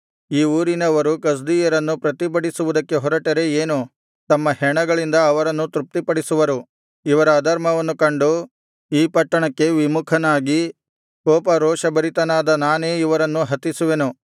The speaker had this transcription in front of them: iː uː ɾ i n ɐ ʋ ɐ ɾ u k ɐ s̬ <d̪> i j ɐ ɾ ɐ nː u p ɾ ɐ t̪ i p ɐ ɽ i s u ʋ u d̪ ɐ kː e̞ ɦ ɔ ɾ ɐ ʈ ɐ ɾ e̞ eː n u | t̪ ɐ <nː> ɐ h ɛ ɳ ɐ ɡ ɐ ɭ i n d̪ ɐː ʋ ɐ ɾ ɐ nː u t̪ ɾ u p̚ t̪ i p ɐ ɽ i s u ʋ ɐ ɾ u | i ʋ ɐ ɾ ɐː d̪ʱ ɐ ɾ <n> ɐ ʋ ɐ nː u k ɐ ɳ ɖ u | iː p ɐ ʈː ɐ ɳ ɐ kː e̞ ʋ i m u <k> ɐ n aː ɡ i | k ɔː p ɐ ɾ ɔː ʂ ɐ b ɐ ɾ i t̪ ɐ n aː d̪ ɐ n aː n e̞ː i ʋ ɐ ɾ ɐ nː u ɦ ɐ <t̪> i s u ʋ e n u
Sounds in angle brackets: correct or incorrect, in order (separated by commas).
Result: correct, incorrect, incorrect, incorrect, correct